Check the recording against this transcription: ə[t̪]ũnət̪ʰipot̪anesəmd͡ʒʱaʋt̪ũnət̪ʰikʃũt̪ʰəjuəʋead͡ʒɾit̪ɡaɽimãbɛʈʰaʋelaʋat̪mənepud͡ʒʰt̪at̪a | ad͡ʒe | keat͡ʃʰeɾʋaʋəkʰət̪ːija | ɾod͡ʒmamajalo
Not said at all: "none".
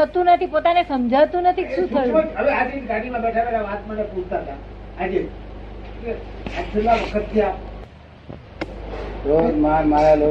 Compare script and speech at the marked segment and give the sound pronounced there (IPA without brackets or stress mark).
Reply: t̪